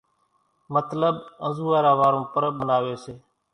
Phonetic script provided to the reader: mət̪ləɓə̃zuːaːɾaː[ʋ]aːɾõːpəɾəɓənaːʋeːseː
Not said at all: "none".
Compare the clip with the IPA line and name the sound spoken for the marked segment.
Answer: ʋ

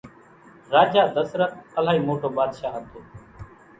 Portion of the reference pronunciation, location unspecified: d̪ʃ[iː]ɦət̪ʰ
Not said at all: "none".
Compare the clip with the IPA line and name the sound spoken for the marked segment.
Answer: aː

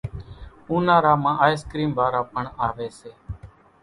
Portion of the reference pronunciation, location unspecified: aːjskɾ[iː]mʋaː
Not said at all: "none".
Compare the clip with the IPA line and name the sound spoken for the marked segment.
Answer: iː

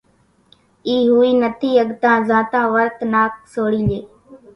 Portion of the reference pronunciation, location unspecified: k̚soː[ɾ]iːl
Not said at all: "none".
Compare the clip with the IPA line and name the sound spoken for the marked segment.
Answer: ɽ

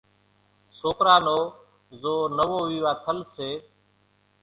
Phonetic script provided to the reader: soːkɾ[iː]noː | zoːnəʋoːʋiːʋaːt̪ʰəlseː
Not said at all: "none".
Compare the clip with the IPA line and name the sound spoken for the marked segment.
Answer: aː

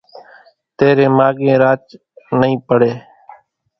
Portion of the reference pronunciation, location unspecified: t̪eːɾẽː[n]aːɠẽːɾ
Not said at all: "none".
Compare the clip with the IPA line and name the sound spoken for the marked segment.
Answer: m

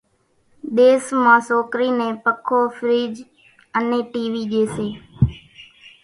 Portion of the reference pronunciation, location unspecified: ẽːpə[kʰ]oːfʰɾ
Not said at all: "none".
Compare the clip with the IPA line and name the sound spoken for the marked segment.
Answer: kʰ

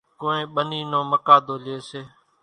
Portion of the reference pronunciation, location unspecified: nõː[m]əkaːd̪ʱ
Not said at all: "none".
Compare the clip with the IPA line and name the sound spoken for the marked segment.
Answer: m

